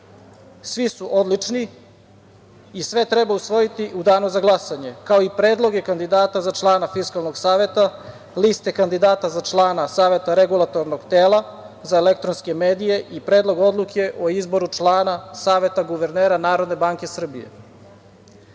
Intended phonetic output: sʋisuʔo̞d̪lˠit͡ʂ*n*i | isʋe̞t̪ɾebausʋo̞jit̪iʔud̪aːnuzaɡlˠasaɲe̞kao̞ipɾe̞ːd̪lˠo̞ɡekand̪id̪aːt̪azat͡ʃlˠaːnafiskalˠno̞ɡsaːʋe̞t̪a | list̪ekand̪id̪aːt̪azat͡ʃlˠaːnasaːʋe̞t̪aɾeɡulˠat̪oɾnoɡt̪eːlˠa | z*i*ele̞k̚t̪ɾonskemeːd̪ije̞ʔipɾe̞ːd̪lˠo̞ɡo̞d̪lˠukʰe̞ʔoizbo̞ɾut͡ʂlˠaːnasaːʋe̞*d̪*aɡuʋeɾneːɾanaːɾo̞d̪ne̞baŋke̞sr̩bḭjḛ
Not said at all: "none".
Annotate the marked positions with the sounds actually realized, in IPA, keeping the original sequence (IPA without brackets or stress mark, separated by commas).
n, a, t̪